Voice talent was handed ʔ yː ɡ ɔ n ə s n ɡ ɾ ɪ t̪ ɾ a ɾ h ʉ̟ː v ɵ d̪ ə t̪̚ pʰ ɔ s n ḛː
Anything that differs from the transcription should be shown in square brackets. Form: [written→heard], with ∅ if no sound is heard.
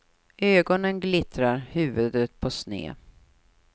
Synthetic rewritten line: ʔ [yː→øː] ɡ ɔ n ə [s→∅] n ɡ [ɾ→l] ɪ t̪ ɾ a ɾ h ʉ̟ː v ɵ d̪ ə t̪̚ pʰ ɔ s n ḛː